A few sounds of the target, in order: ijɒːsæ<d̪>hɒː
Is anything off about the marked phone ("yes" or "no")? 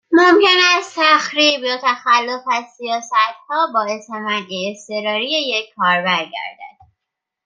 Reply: yes